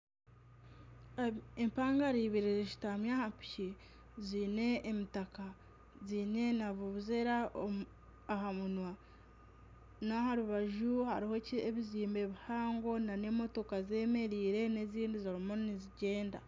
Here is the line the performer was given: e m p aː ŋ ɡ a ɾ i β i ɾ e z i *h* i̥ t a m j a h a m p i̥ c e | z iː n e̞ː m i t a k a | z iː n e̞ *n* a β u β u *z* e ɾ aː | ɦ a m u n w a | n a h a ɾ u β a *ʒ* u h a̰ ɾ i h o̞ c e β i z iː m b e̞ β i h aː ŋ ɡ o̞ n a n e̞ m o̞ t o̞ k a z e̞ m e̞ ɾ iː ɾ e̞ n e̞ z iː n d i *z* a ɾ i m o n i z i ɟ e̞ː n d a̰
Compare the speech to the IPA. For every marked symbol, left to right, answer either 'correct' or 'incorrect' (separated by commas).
incorrect, correct, correct, correct, correct